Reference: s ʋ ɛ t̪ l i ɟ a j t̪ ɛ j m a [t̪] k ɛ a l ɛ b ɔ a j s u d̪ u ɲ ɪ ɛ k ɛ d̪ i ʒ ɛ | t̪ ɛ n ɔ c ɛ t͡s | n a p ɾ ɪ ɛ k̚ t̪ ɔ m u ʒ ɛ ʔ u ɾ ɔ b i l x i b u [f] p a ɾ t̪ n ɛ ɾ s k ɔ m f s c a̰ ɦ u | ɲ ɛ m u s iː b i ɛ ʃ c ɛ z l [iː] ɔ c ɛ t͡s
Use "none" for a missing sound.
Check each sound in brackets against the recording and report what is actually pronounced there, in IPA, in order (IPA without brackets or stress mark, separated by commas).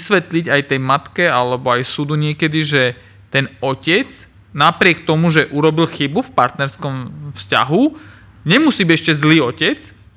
t̪, f, iː